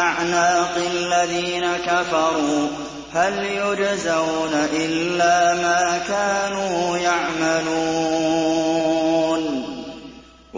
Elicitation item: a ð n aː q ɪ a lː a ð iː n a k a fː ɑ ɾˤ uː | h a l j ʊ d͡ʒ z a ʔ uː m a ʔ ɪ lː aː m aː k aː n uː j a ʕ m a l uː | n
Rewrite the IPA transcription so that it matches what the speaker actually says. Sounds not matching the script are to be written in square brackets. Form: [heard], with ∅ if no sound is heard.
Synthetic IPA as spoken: a [ʕ] n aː q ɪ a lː a ð iː n a k a [f] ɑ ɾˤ uː | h a l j ʊ d͡ʒ z a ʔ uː [n] a ʔ ɪ lː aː m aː k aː n uː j a ʕ m a l uː | n